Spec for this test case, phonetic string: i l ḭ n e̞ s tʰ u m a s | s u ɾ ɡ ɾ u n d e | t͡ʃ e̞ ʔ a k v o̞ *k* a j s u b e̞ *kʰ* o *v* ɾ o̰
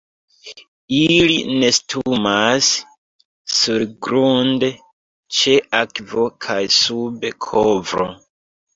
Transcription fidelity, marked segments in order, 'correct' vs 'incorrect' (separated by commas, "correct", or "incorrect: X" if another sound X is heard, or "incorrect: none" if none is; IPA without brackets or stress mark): incorrect: kʰ, correct, correct